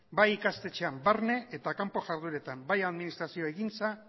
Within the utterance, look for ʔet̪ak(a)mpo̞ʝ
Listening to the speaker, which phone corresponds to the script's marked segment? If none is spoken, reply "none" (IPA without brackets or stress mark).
a